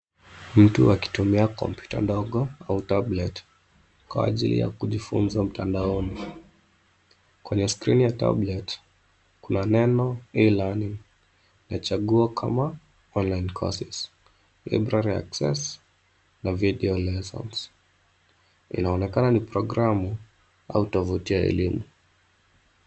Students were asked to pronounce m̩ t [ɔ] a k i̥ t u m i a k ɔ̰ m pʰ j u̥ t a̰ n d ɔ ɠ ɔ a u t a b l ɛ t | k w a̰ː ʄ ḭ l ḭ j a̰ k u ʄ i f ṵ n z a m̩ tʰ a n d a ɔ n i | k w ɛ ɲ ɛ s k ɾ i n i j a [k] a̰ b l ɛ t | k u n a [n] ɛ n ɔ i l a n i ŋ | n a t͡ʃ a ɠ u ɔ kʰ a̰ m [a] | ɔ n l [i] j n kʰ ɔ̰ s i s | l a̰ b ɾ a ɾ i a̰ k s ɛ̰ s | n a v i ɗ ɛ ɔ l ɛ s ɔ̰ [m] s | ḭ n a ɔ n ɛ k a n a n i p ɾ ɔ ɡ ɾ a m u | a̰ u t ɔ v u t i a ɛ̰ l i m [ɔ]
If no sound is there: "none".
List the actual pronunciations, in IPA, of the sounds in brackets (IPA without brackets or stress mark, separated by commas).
u, t, n, a, a, n, u